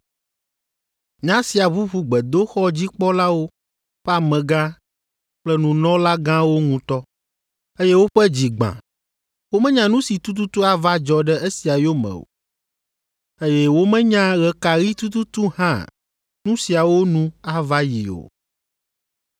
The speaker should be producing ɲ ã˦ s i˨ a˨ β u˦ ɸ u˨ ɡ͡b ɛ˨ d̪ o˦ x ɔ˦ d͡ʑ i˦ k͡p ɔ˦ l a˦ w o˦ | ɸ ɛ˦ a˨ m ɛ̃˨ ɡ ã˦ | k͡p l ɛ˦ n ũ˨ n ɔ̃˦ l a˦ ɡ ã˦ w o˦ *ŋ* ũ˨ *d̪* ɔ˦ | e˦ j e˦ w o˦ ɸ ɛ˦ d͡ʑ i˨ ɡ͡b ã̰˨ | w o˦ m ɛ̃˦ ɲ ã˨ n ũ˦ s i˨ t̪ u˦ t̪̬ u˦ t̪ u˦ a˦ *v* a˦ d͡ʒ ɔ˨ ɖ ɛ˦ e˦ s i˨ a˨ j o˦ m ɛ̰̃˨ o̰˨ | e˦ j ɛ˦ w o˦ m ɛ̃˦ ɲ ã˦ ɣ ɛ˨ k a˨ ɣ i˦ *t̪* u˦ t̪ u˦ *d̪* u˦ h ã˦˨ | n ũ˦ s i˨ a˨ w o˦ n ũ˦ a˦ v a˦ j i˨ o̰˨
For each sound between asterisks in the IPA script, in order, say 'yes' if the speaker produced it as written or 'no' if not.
yes, no, yes, yes, no

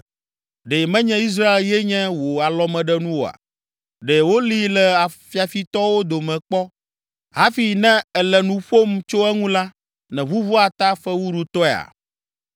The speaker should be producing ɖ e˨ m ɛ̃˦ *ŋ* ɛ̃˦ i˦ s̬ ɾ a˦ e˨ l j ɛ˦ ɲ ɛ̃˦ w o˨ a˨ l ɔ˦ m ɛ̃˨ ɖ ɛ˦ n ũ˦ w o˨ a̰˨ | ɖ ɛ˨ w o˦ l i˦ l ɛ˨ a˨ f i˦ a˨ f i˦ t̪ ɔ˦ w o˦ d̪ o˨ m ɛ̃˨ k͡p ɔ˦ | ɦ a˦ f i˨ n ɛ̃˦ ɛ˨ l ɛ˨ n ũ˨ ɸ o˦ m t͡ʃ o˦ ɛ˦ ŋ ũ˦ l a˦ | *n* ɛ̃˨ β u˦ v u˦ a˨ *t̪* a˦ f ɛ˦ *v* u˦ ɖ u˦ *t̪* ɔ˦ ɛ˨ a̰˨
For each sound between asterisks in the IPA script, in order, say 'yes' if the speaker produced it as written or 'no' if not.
no, yes, yes, no, yes

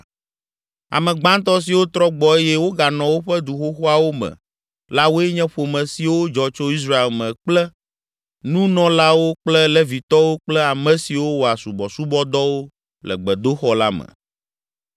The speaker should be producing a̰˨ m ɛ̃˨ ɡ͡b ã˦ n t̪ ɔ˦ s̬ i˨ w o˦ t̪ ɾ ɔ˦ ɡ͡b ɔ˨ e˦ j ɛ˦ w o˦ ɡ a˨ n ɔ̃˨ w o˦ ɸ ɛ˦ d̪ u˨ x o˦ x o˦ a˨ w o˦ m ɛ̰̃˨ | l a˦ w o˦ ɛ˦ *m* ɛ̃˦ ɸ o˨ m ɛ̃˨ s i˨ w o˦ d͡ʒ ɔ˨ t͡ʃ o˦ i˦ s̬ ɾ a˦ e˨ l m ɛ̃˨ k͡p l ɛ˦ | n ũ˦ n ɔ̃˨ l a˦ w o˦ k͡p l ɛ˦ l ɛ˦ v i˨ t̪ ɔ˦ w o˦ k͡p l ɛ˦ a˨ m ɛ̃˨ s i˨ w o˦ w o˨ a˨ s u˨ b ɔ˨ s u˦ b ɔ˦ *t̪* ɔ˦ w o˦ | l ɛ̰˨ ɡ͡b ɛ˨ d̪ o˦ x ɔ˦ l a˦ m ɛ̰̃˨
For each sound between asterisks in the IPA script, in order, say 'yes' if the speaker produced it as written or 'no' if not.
no, no

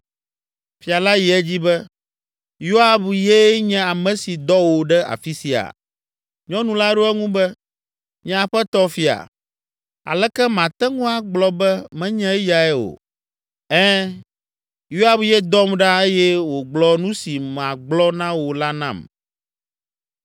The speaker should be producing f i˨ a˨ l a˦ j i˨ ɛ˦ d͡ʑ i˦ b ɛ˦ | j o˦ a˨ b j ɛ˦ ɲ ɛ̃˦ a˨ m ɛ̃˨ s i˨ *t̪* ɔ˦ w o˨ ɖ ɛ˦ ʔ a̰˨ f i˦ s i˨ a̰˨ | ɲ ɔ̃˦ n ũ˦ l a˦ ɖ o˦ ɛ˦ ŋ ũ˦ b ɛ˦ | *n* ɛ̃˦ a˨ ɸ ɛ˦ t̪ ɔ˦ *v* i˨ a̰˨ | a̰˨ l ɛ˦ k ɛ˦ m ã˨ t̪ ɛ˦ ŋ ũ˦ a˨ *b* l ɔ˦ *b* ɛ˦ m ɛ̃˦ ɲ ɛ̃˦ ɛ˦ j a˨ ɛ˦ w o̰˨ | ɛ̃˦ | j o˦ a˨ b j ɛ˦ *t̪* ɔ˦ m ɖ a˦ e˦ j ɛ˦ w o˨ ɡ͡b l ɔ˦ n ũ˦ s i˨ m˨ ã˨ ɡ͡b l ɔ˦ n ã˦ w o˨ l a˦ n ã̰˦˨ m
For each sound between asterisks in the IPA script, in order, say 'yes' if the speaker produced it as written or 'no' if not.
no, no, no, no, yes, no

